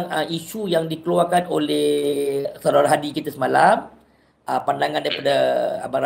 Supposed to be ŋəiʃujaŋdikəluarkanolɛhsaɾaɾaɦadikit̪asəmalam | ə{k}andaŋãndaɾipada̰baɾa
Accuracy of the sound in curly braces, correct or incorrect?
incorrect